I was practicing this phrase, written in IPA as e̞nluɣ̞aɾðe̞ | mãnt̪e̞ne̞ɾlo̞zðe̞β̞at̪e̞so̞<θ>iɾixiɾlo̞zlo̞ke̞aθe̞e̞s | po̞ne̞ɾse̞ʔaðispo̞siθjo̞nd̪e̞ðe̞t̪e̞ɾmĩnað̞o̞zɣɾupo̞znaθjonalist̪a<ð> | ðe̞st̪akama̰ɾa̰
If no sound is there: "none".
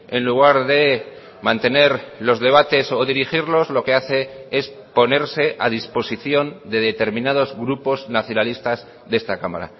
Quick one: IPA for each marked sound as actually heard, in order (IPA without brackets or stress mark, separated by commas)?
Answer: ð, z